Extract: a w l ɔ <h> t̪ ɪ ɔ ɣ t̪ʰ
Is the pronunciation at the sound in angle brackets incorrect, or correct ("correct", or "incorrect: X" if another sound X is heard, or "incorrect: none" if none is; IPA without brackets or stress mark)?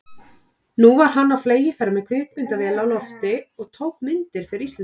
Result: incorrect: f